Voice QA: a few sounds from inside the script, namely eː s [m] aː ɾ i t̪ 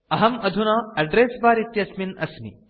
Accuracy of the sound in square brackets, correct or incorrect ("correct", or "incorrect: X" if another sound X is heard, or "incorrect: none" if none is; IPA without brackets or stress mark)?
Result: incorrect: b